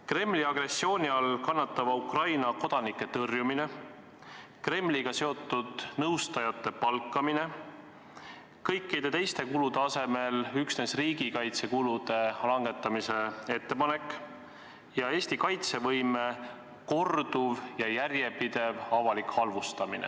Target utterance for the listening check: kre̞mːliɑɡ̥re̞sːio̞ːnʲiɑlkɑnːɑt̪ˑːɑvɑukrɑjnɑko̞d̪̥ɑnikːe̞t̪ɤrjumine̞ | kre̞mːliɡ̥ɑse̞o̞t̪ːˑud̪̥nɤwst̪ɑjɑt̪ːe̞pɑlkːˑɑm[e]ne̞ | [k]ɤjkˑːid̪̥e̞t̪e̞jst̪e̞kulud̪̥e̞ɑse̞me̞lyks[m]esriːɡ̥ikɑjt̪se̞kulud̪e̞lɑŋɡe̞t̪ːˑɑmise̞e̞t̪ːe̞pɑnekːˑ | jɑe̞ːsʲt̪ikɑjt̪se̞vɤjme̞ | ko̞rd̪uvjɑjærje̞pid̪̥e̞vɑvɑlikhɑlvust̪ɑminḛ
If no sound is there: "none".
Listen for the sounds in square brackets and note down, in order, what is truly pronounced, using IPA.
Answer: i, k, n

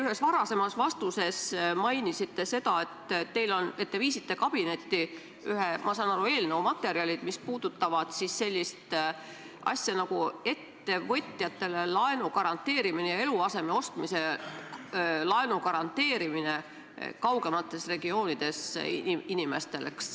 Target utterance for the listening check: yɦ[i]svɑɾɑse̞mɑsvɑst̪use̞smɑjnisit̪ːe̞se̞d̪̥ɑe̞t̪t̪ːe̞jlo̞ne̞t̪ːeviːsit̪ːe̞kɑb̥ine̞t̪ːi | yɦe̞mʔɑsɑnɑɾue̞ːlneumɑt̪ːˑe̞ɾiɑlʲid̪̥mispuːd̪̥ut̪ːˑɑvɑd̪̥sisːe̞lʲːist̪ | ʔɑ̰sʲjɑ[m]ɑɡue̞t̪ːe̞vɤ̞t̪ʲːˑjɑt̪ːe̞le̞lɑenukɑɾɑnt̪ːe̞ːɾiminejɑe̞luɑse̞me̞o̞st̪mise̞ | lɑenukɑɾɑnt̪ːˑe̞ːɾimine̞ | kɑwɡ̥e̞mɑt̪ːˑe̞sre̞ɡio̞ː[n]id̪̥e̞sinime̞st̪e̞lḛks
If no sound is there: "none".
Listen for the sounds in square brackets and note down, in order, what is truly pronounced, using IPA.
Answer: e, n, n

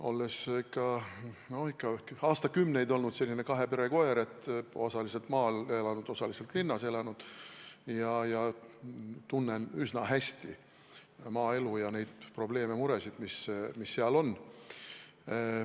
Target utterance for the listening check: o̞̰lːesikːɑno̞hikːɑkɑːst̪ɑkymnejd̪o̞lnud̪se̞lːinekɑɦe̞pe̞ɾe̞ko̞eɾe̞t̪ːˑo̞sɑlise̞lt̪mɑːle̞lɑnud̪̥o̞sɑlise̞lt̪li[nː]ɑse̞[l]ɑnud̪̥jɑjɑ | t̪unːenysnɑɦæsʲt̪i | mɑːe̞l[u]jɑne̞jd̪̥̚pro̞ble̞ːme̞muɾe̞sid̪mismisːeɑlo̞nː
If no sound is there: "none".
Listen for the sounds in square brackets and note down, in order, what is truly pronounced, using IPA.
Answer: nː, l, u

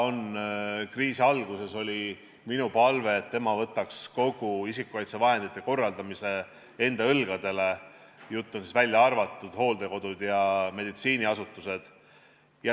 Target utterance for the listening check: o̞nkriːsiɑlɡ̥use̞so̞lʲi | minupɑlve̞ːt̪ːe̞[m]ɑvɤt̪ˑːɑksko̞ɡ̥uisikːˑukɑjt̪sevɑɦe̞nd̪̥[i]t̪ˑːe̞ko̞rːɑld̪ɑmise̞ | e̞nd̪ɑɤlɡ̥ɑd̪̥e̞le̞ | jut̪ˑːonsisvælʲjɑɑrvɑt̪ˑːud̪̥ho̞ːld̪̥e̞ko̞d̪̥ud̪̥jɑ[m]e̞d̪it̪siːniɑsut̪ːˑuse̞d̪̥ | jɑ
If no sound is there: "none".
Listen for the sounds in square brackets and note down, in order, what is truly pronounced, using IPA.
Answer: m, i, m

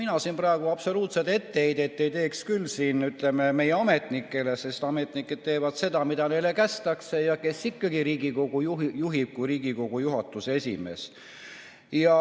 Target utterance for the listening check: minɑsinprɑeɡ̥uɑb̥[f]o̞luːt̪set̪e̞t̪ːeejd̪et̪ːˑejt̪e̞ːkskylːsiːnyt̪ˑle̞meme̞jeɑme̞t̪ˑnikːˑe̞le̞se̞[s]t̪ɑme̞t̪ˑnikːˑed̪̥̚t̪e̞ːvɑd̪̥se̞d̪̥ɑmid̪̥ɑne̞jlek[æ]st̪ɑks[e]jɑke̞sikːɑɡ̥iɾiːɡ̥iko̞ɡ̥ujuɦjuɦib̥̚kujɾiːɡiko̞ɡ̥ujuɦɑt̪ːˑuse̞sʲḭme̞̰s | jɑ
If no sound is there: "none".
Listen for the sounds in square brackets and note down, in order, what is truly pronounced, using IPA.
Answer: s, s, æ, e

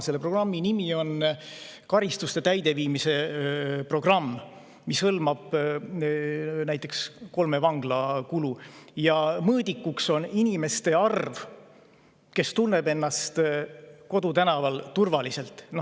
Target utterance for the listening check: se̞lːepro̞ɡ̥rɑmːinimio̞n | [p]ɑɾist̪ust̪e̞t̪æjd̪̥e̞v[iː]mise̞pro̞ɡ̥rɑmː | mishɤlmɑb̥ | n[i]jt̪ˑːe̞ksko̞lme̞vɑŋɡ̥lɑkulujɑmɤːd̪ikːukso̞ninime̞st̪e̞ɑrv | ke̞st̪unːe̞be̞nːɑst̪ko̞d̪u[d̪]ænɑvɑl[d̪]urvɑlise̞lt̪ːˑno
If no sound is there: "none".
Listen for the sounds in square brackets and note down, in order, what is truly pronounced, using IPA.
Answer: k, iː, æ, t̪, t̪

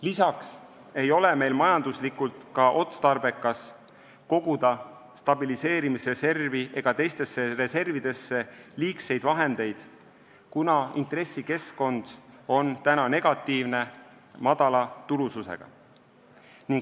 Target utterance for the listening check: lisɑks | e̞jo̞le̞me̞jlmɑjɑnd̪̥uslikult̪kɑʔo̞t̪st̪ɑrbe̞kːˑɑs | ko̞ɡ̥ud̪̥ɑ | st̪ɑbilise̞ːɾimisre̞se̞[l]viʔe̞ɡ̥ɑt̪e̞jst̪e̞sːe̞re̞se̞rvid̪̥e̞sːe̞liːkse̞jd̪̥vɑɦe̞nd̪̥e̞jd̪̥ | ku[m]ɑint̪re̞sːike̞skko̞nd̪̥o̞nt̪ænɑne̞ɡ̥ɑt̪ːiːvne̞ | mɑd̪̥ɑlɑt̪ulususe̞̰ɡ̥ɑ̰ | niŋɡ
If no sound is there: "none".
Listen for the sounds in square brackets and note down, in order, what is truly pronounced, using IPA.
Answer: r, n

